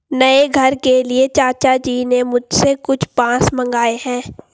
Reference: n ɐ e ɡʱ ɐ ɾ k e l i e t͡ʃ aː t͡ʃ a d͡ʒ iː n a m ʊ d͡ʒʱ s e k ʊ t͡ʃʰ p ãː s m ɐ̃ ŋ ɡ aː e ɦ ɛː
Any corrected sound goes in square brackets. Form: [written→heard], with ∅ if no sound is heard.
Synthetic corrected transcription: n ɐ e ɡʱ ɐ ɾ k e l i e t͡ʃ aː t͡ʃ a d͡ʒ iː n [a→e] m ʊ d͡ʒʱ s e k ʊ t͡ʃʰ p ãː s m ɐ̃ ŋ ɡ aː e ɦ [ɛː→ɛ̃ː]